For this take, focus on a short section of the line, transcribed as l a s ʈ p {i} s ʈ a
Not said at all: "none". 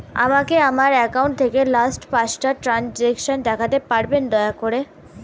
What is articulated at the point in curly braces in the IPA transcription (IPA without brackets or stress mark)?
a